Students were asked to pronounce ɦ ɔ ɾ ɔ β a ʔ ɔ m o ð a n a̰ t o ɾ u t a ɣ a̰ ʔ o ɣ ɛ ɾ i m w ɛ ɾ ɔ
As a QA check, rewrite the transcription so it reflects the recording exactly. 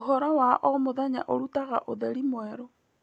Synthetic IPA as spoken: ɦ ɔ ɾ ɔ w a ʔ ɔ m o ð a ɲ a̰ ʔ o ɾ u t a ɣ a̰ ʔ o ð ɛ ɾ i m w ɛ ɾ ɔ